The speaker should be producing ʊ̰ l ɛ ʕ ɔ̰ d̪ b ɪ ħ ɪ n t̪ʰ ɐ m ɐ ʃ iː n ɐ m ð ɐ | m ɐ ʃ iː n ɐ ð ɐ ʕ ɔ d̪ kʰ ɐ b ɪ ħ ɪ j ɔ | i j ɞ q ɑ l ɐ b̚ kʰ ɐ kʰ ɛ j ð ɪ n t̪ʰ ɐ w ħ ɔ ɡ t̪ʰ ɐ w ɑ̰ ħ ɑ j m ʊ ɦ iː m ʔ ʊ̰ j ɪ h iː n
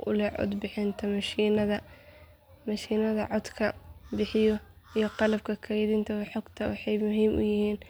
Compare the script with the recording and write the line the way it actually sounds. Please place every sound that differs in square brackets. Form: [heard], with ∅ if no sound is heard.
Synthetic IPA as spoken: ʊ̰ l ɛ ʕ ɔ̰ d̪ b ɪ ħ ɪ n t̪ʰ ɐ m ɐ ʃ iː n ɐ [∅] ð ɐ | m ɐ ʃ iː n ɐ ð ɐ ʕ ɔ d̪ kʰ ɐ b ɪ ħ ɪ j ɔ | i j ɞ q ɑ l ɐ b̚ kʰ ɐ kʰ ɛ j ð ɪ n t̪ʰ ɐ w ħ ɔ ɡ t̪ʰ ɐ w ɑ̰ ħ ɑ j m ʊ ɦ iː m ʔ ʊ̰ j ɪ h iː n